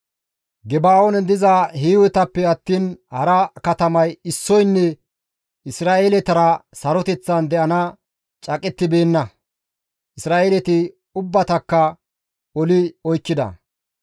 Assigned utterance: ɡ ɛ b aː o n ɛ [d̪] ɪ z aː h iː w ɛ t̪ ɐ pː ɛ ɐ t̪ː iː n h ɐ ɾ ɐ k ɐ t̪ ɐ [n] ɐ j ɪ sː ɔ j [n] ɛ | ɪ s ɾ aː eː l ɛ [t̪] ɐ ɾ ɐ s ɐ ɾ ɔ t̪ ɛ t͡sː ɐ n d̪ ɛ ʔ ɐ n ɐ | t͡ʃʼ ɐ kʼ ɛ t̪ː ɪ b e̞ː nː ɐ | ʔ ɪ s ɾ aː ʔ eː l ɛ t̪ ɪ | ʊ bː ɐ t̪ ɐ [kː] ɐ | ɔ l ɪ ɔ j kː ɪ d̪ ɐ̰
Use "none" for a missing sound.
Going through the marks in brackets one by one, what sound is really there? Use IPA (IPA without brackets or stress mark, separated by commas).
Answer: d̪, m, nː, t̪, kː